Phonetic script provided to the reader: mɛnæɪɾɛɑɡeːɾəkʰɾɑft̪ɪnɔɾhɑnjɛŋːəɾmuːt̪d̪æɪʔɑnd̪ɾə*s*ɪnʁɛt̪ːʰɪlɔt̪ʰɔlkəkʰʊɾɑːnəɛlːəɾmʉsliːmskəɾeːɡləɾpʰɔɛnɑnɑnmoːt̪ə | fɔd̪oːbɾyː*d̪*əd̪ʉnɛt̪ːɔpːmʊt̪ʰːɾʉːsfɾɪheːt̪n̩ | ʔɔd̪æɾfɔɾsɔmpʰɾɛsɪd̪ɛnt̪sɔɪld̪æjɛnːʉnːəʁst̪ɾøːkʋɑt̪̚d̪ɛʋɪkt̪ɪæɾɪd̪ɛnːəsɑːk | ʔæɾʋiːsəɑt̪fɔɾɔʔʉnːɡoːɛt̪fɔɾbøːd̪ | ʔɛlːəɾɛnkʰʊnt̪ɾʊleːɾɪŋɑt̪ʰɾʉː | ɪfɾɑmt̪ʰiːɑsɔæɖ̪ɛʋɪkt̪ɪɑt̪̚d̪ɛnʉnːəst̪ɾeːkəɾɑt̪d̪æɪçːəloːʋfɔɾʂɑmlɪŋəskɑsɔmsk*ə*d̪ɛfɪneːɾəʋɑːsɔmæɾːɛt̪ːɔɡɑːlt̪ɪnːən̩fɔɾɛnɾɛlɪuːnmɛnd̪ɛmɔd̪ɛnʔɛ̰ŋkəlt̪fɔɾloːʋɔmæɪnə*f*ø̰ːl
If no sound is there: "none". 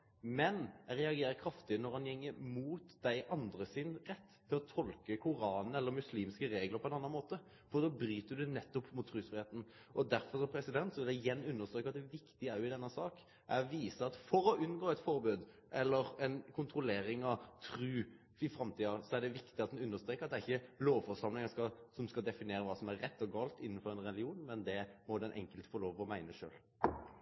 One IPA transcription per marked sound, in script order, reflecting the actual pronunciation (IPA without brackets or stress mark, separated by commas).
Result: s, t̪, ɑ, ʂ